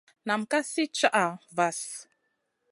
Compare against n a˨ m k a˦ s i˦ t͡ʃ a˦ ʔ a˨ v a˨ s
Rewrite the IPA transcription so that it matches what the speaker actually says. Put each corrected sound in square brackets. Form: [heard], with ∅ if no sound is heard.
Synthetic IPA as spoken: n a˨ m k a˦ s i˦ t͡ʃ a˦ ʔ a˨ v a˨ s